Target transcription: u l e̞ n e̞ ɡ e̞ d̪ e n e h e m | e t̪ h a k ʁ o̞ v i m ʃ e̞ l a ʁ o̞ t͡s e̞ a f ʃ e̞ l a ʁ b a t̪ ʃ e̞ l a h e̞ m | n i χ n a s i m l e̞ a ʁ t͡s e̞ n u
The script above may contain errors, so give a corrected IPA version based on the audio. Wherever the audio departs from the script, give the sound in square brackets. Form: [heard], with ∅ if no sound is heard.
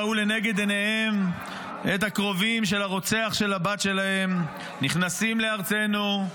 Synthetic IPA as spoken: u l e̞ n e̞ ɡ e̞ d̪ e n e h e m | e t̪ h a k ʁ o̞ v i m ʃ e̞ l a ʁ o̞ t͡s e̞ a [χ] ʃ e̞ l a [∅] b a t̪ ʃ e̞ l a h e̞ m | n i χ n a s i m l e̞ a ʁ t͡s e̞ n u